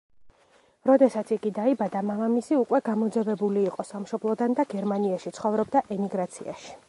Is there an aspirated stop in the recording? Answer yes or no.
no